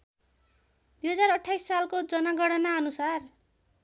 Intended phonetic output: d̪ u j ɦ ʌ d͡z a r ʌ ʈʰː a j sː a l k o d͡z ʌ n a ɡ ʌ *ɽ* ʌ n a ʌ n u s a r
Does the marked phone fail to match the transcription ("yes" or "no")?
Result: no